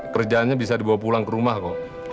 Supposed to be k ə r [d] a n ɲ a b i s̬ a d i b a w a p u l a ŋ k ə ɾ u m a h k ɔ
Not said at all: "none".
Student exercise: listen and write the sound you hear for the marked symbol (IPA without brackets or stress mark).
d͡ʒ